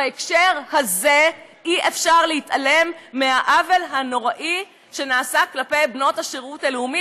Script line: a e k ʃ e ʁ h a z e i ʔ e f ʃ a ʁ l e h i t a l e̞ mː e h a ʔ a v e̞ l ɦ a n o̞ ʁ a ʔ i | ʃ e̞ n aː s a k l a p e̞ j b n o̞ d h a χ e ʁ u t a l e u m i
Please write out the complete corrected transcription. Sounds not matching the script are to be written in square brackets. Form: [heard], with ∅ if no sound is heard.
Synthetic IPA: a e k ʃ e ʁ h a z e i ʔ e f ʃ a ʁ l e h i t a l e̞ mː e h a ʔ a v e̞ l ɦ a n o̞ ʁ a ʔ i | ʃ e̞ n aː s a k l a p e̞ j b n o̞ [t] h a [ʃ] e ʁ u t a l e u m i